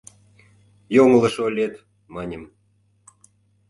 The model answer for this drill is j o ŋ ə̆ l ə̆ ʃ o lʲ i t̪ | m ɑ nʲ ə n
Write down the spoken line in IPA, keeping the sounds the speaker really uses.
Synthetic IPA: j o ŋ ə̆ l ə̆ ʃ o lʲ e t̪ | m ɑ nʲ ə m